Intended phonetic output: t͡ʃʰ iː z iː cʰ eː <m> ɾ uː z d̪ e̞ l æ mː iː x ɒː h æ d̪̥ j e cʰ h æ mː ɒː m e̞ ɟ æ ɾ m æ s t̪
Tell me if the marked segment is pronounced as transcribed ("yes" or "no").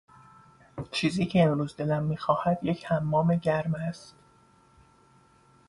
yes